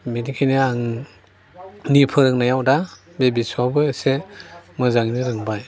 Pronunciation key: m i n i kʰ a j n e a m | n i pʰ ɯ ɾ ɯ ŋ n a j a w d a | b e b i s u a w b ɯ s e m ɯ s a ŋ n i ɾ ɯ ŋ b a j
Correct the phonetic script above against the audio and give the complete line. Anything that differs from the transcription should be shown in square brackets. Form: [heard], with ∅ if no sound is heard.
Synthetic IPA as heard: m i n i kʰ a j n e a [ŋ] | n i pʰ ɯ ɾ ɯ ŋ n a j a w d a | b e b i s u a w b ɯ s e m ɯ [z] a ŋ n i ɾ ɯ ŋ b a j